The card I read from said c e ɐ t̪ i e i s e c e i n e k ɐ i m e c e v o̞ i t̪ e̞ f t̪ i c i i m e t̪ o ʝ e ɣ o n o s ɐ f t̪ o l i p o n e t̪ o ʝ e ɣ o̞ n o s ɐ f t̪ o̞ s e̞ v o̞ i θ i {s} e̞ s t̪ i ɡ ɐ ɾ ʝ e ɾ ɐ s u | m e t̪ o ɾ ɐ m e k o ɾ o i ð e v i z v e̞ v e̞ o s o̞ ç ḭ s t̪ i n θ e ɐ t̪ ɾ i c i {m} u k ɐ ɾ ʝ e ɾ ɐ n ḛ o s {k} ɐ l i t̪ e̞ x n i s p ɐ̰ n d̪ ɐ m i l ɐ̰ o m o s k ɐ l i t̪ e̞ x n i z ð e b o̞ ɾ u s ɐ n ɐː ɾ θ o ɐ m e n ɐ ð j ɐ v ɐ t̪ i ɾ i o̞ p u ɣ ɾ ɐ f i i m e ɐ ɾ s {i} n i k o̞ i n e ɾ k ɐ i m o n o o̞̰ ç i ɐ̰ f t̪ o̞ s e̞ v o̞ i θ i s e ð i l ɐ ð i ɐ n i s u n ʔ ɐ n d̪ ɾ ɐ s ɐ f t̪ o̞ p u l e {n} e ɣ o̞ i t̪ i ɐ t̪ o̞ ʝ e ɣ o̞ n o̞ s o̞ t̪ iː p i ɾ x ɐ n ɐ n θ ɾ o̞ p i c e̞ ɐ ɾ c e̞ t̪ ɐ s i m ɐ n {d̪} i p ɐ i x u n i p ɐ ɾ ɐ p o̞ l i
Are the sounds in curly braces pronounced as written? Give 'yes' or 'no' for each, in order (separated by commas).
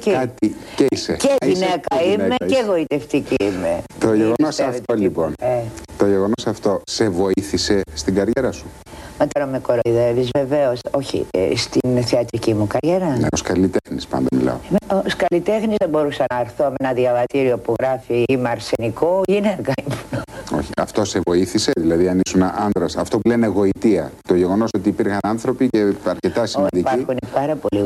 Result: yes, yes, yes, no, yes, yes